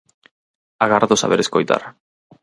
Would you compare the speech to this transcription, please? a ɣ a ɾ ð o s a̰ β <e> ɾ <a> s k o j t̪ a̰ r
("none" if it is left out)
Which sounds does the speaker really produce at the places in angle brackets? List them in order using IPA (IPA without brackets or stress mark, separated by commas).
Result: e, e